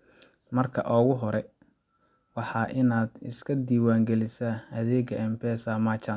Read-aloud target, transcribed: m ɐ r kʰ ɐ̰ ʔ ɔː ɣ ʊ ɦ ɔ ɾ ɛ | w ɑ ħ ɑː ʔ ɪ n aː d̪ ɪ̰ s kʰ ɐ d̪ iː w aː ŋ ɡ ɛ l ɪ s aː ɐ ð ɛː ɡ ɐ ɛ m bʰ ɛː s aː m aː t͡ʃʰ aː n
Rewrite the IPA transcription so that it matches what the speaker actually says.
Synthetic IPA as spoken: m ɐ r kʰ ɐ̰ ʔ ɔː ɣ ʊ ɦ ɔ ɾ ɛ | w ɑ ħ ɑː ʔ ɪ n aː d̪ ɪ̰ s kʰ ɐ d̪ iː w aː ŋ ɡ ɛ l ɪ s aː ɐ ð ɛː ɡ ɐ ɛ m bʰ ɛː s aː m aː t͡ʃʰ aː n

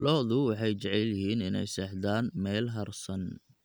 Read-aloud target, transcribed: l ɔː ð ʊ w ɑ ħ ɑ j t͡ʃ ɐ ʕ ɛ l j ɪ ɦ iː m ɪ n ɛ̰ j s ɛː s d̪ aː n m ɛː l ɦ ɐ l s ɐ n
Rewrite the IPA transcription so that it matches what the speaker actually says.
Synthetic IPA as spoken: l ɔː ð ʊ w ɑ ħ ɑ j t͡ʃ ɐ ʕ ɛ l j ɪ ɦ iː n ɪ n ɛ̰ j s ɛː ħ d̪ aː n m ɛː l ɦ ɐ r s ɐ n

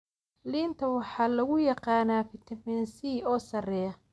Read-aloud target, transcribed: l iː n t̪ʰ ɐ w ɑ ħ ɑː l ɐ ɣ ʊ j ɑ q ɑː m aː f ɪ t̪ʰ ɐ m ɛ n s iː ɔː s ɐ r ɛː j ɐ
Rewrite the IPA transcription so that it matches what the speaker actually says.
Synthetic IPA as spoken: l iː n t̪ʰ ɐ w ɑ ħ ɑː l ɐ ɣ ʊ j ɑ q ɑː n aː f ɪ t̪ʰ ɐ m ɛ n s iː ɔː s ɐ r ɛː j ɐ

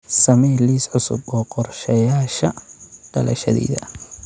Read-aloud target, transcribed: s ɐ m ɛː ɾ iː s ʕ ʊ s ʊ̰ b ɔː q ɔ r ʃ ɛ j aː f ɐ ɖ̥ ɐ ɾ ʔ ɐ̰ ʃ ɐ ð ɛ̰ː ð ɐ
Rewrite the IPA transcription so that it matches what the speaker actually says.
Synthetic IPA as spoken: s ɐ m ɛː l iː s ʕ ʊ s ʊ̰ b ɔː q ɔ r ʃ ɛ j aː ʃ ɐ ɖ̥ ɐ l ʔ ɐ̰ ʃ ɐ ð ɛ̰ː ð ɐ

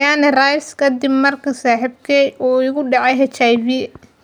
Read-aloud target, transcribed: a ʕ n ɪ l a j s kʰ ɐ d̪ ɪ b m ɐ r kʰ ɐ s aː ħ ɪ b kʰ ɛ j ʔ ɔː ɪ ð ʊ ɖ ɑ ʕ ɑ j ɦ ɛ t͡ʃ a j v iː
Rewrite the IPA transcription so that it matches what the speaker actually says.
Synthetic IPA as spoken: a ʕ n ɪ r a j s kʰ ɐ d̪ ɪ b m ɐ r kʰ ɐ s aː ħ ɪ b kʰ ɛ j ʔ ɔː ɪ ɣ ʊ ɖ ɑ ʕ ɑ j ɦ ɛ t͡ʃ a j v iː

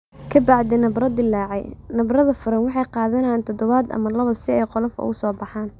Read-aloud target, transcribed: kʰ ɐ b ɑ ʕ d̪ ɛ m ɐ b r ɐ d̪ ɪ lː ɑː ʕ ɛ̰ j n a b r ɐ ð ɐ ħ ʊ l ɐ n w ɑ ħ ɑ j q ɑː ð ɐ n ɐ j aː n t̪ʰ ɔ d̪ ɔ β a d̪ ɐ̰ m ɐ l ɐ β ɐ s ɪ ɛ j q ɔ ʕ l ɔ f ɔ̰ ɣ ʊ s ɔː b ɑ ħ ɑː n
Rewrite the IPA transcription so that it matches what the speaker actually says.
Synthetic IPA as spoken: kʰ ɐ b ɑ ʕ d̪ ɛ n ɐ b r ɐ d̪ ɪ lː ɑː ʕ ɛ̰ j n ɐ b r ɐ ð ɐ f ʊ ɾ ɐ n w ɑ ħ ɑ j q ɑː ð ɐ n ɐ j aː n t̪ʰ ɔ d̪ ɔ β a d̪ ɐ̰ m ɐ l ɐ β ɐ s ɪ ɛ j q ɔ l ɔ f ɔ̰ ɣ ʊ s ɔː b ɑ ħ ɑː n

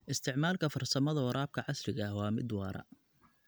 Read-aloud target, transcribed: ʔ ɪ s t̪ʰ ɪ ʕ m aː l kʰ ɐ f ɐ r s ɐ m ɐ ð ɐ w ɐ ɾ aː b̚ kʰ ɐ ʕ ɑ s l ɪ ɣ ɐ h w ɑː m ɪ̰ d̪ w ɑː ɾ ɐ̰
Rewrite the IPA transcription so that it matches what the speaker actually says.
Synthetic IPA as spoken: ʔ ɪ s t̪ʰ ɪ ʕ m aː l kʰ ɐ f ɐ r s ɐ m ɐ ð ɐ w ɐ ɾ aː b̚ kʰ ɐ ʕ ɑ s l ɪ ɣ ɐ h w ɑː m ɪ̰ d̪ w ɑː ɾ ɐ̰

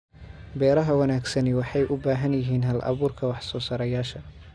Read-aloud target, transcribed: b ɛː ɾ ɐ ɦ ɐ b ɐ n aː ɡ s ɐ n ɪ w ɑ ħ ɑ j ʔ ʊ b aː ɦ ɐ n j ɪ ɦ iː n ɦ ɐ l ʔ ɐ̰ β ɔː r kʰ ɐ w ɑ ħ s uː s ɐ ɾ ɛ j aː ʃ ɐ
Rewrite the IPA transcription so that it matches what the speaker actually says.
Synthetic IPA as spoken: b ɛː ɾ ɐ ɦ ɐ w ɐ n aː ɡ s ɐ n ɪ w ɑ ħ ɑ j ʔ ʊ b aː ɦ ɐ n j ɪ ɦ iː n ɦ ɐ l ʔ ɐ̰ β uː r kʰ ɐ w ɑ ħ s ɔː s ɐ ɾ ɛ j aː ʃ ɐ

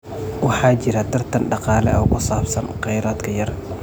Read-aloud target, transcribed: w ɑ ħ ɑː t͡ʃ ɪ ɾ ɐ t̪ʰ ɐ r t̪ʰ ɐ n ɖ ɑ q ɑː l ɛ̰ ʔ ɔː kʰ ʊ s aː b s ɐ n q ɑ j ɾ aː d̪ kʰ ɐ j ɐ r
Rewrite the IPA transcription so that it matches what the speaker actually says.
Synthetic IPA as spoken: w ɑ ħ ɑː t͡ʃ ɪ ɾ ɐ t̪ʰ ɐ r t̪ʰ ɐ n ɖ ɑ q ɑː l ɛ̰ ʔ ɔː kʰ ʊ s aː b s ɐ n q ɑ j ɾ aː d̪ kʰ ɐ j ɐ r

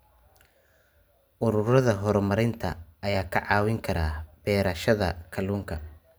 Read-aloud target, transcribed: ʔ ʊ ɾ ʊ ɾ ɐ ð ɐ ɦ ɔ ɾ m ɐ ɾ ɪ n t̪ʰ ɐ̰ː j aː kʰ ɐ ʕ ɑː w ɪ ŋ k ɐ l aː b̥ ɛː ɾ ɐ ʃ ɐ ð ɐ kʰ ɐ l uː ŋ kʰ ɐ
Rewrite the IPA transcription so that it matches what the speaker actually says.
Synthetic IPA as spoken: ʔ ʊ ɾ ʊ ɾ ɐ ð ɐ ɦ ɔ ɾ m ɐ ɾ ɪ n t̪ʰ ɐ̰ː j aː kʰ ɐ ʕ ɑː w ɪ ŋ kʰ ɐ ɾ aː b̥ ɛː ɾ ɐ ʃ ɐ ð ɐ kʰ ɐ l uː ŋ kʰ ɐ

